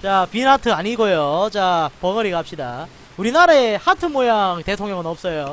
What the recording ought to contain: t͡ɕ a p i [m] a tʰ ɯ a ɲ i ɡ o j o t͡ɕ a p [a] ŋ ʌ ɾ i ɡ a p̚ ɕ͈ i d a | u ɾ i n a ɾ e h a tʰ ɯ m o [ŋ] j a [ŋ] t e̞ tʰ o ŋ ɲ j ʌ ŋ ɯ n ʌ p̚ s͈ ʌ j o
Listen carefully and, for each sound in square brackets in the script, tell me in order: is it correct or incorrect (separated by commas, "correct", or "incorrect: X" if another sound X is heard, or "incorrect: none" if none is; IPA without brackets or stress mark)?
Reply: incorrect: n, incorrect: ʌ, incorrect: none, correct